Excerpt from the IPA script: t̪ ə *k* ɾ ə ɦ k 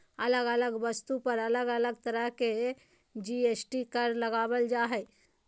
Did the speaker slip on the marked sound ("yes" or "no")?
yes